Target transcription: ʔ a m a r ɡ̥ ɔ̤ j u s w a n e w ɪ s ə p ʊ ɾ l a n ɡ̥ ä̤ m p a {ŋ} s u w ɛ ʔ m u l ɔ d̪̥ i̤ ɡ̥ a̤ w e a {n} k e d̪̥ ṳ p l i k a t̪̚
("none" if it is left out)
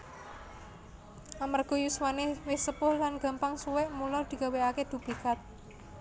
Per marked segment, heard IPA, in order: ŋ, none

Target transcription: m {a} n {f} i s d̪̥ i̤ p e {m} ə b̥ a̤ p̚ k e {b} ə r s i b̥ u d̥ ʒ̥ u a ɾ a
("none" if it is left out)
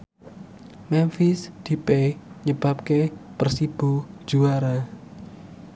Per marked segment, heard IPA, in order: ɛ, f, ɲ, p

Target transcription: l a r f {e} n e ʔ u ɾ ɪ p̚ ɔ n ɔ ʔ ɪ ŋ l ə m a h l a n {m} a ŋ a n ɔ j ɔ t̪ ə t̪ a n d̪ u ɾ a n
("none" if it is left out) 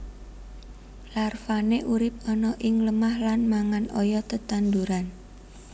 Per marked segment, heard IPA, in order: a, m

